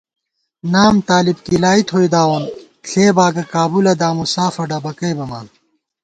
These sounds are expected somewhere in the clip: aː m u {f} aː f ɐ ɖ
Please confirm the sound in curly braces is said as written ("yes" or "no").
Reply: no